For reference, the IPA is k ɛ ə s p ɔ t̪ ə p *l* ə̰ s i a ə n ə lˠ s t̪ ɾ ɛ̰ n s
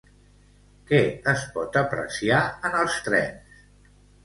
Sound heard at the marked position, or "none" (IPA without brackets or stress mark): ɾ